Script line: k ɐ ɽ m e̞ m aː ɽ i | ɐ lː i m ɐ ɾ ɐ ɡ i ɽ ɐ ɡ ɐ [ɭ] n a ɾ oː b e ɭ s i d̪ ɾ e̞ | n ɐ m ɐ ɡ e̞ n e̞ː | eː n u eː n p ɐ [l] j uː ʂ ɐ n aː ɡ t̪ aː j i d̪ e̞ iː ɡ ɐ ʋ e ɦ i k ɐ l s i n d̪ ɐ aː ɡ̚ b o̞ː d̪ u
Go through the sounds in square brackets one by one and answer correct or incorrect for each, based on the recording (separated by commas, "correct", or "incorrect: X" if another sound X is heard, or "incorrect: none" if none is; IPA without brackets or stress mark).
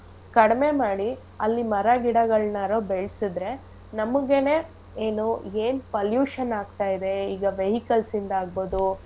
correct, correct